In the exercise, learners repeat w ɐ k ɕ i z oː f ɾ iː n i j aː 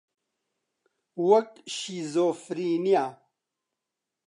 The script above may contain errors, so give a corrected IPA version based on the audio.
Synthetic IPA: w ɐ k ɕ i z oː f ɾ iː n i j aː